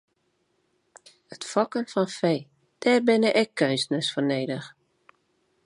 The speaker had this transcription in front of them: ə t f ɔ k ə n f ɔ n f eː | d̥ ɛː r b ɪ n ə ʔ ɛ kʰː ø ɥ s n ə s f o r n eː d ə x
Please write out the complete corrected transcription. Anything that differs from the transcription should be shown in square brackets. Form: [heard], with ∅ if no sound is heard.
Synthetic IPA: ə t f ɔ k ə n f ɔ n f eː | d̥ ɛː r b ɪ n ə ʔ ɛ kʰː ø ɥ s n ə s f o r n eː d ə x

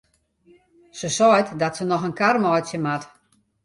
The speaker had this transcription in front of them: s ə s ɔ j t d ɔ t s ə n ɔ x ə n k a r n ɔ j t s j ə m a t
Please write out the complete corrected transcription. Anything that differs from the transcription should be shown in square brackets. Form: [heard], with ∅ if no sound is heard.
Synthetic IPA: s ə s ɔ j t d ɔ t s ə n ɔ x ə n k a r [m] ɔ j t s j ə m a t

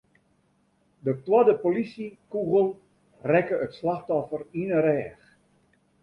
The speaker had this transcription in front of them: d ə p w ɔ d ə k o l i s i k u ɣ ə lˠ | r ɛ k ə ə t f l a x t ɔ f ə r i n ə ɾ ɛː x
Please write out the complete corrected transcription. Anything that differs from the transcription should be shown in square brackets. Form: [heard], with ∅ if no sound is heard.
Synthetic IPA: d ə [t] w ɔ d ə [p] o l i s i k u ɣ ə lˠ | r ɛ k ə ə t [s] l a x t ɔ f ə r i n ə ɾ ɛː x

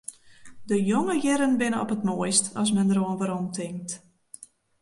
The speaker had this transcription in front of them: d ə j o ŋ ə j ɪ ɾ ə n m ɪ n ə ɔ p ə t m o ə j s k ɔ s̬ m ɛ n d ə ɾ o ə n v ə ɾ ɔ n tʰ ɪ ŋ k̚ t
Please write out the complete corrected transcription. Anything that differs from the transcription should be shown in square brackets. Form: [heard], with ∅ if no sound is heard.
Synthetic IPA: d ə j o ŋ ə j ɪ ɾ ə n [b] ɪ n ə ɔ p ə t m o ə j s [t] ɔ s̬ m ɛ n d ə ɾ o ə n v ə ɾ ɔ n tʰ ɪ ŋ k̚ t

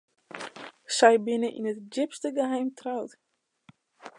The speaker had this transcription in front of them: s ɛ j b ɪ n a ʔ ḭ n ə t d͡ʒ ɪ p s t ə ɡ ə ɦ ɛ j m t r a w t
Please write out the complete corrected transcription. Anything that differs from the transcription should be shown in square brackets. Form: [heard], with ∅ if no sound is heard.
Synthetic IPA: s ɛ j b ɪ n [ə] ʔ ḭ n ə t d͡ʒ ɪ p s t ə ɡ ə ɦ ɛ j m t r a w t

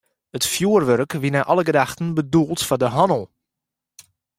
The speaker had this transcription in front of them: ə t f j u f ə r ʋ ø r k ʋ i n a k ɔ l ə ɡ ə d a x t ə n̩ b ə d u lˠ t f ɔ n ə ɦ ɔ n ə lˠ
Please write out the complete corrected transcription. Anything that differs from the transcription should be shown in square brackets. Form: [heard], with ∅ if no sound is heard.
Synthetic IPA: ə t f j u [∅] ə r ʋ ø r k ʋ i n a [ʔ] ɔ l ə ɡ ə d a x t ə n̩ b ə d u lˠ t f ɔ [d] ə ɦ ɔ n ə lˠ

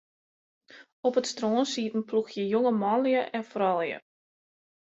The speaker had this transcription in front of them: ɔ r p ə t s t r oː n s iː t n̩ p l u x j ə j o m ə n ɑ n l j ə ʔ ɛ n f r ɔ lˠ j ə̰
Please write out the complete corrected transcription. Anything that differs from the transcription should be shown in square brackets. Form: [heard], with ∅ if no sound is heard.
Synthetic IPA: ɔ [∅] p ə t s t r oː n s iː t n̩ p l u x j ə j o [ŋ] ə [m] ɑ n l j ə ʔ ɛ n f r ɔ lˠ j ə̰

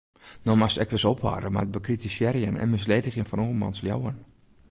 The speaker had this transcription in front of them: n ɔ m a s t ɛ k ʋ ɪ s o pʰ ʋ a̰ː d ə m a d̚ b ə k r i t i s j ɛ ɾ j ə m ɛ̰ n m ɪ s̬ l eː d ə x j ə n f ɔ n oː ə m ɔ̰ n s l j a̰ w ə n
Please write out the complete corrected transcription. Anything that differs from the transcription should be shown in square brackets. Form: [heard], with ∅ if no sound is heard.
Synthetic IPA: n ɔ m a s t ɛ k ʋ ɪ s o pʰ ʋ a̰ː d ə m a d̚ b ə k r i t i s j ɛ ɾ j ə [n] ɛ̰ n m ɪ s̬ l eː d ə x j ə n f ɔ n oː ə m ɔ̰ n s l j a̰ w ə n

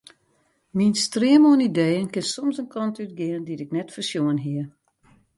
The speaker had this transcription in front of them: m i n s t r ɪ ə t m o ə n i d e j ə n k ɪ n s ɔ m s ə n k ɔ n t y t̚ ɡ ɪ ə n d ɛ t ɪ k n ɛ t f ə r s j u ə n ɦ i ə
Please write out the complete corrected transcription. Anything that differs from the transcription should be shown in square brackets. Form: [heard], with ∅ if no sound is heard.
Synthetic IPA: m i n s t r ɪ ə [∅] m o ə n i d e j ə n k ɪ n s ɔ m s ə n k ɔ n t y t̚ ɡ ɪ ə n d [i] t ɪ k n ɛ t f ə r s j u ə n ɦ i ə

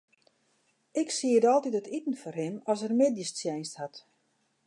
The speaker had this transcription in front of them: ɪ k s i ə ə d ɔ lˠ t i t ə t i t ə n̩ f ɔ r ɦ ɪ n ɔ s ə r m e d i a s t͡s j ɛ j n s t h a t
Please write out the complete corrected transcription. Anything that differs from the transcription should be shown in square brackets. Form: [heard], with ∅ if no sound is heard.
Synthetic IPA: ɪ k s i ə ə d ɔ lˠ t i t ə t i t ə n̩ f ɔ r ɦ ɪ n ɔ s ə r m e d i [ə] s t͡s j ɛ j n s t h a t

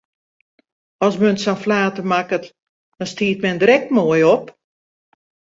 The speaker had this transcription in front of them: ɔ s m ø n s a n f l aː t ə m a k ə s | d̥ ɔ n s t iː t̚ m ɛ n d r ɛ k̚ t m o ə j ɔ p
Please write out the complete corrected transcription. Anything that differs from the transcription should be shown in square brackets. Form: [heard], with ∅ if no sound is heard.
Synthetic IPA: ɔ s m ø n s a n f l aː t ə m a k ə [t] | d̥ ɔ n s t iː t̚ m ɛ n d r ɛ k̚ t m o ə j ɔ p

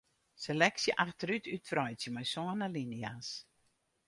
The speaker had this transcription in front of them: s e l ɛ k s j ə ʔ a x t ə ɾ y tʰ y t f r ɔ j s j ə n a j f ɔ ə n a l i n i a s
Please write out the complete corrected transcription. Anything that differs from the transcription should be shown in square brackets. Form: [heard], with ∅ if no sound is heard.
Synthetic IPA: s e l ɛ k s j ə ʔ a x t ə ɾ y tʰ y t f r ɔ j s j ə [m] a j [s] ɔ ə n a l i n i a s

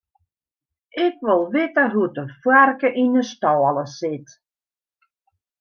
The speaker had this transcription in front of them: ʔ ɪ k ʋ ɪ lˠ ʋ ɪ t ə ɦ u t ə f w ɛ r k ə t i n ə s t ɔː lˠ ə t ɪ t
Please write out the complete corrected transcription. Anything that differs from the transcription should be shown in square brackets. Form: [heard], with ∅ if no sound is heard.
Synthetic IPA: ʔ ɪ k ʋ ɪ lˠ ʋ ɪ t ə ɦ u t ə f w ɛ r k ə [ʔ] i n ə s t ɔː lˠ ə [s] ɪ t

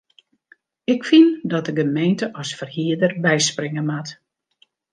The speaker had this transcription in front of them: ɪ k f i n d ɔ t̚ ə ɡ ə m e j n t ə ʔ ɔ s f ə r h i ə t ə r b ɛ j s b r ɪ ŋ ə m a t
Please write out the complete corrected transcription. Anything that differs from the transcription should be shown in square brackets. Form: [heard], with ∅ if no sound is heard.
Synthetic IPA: ɪ k f i n d ɔ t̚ ə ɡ ə m e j n t ə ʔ ɔ s f ə r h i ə [d] ə r b ɛ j s [p] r ɪ ŋ ə m a t

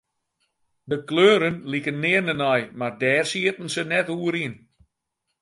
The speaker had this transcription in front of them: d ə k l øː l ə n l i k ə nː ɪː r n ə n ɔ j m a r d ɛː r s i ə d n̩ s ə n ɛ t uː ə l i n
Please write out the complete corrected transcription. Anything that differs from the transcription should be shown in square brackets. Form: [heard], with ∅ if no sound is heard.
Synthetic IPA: d ə k l øː [ɾ] ə n l i k ə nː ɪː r n ə n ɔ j m a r d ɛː r s i ə [t] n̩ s ə n ɛ t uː ə [ɾ] i n

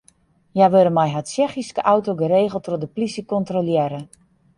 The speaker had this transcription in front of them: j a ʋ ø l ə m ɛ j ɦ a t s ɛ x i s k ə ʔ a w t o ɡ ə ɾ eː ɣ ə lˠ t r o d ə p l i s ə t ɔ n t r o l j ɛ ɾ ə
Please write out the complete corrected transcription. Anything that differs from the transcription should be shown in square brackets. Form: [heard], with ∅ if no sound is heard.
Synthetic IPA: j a ʋ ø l ə m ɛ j ɦ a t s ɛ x i s k ə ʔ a w t o ɡ ə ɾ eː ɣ ə lˠ t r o d ə p l i s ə [k] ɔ n t r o l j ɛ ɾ ə

